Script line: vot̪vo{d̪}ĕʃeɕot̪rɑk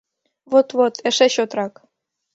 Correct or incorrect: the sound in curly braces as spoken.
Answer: incorrect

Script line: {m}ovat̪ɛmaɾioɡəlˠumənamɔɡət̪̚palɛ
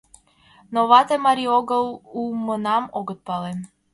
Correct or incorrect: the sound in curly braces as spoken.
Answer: incorrect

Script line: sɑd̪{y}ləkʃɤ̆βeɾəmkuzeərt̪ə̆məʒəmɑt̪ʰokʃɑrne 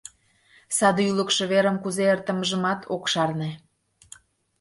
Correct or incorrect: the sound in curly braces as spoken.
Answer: correct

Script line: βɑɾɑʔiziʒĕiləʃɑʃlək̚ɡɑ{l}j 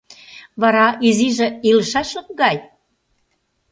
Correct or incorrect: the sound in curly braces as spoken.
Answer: incorrect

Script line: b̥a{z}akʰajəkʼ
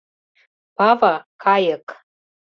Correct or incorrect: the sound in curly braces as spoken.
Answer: incorrect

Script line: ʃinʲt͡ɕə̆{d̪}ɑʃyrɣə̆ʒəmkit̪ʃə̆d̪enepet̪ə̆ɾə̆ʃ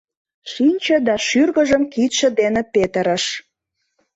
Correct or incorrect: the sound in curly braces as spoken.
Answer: correct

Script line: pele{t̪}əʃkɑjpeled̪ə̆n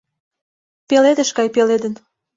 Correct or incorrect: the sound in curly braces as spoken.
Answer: incorrect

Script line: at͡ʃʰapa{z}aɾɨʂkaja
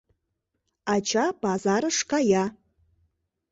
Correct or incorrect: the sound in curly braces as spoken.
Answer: correct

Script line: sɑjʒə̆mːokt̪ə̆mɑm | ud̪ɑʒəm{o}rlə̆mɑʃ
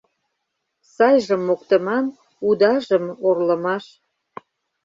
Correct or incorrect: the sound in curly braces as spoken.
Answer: correct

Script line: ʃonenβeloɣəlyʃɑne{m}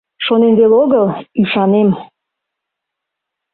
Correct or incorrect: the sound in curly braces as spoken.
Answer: correct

